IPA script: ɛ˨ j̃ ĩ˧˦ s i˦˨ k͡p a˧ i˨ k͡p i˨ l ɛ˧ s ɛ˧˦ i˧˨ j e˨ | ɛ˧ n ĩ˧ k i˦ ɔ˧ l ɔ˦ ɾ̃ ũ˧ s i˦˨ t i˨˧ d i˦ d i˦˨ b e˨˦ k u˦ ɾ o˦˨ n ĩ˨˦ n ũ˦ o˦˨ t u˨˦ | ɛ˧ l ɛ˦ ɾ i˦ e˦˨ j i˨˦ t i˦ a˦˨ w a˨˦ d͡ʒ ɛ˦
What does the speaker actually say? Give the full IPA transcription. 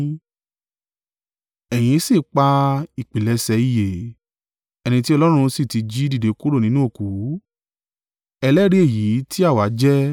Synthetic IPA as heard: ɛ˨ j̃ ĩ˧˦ s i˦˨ k͡p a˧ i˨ k͡p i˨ l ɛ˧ s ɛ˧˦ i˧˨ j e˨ | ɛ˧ n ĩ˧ t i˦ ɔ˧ l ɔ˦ ɾ̃ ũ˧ s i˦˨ t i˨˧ d͡ʒ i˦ d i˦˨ d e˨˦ k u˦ ɾ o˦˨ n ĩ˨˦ n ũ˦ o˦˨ k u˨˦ | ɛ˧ l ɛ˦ ɾ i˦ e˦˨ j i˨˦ t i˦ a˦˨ w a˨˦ d͡ʒ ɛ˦